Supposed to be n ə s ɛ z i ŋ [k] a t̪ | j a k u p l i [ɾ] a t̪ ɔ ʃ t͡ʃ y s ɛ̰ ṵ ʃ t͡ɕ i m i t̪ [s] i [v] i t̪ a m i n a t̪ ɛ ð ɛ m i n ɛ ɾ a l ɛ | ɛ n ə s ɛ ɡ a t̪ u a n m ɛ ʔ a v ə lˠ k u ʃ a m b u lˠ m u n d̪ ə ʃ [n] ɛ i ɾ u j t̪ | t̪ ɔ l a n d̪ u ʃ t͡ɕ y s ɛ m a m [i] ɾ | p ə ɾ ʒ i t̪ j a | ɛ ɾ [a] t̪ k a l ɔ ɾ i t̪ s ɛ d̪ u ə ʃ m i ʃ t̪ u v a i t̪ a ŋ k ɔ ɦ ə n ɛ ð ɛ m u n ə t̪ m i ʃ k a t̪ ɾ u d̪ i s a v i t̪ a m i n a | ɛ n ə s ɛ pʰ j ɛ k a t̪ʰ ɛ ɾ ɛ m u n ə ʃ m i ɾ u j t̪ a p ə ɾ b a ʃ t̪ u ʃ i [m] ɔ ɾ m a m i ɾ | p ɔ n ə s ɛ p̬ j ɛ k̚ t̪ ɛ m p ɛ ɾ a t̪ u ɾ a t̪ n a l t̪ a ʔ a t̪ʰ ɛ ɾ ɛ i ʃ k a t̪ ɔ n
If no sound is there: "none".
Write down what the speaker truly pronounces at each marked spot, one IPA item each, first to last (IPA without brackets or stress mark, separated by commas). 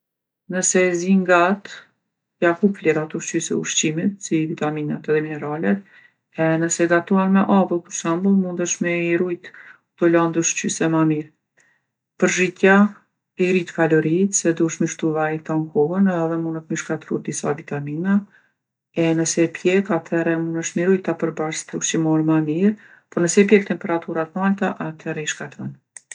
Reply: ɡ, ɾ, s, v, m, i, i, m